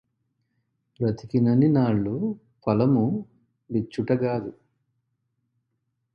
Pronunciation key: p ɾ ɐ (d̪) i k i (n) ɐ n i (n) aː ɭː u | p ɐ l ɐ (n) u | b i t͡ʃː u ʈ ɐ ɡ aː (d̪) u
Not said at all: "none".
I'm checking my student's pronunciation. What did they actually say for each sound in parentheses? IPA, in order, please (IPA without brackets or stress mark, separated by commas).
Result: t̪, n, n, m, d̪